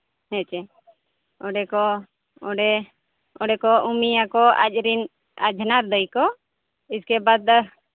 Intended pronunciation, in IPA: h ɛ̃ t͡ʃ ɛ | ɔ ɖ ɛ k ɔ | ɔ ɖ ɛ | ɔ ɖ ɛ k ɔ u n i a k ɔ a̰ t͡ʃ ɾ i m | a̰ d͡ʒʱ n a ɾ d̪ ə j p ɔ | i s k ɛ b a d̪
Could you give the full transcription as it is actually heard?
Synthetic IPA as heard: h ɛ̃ t͡ʃ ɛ | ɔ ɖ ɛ k ɔ | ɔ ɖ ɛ | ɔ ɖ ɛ k ɔ u m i a k ɔ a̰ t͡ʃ ɾ i n | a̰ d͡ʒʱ n a ɾ d̪ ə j k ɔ | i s k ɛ b a d̪